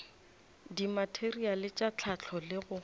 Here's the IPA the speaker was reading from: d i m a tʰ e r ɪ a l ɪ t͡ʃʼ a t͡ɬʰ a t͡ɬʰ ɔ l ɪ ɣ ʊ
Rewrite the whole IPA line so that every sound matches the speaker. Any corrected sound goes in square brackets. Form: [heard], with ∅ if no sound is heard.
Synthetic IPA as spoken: d i m a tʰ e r [i] a l ɪ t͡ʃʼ a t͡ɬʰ a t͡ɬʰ ɔ l ɪ ɣ ʊ